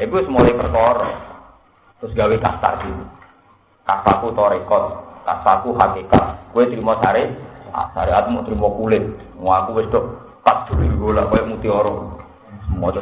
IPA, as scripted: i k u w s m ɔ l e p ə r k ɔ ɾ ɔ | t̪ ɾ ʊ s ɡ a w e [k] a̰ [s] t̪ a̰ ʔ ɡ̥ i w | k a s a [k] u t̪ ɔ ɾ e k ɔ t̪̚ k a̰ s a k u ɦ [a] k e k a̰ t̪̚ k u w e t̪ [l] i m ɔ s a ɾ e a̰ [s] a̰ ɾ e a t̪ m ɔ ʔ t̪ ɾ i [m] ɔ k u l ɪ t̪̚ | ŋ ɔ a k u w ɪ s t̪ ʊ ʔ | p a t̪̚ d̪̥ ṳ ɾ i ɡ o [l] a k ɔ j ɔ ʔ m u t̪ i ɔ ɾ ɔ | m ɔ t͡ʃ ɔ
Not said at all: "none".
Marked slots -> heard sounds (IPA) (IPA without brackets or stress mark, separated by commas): k, s, k, a, ɾ, s, m, l